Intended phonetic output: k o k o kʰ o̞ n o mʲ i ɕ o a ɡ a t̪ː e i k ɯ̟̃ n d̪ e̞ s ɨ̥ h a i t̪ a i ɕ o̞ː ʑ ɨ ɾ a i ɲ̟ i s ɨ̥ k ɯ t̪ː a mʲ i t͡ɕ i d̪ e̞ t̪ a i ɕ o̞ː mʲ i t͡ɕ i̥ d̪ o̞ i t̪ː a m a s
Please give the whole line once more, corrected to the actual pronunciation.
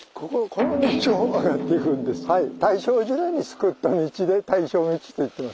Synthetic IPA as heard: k o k o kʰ o̞ n o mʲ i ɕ o a ɡ a t̪ː e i k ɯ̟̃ n d̪ e̞ s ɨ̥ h a i t̪ a i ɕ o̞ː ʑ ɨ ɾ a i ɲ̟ i s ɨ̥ k ɯ t̪ː a mʲ i t͡ɕ i d̪ e̞ t̪ a i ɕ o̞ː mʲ i t͡ɕ i̥ t̪ o̞ i t̪ː e m a s